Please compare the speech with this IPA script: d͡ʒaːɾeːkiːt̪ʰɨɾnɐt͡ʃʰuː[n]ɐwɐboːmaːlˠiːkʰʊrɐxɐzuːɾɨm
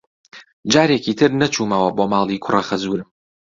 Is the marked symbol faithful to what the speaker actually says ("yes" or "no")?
no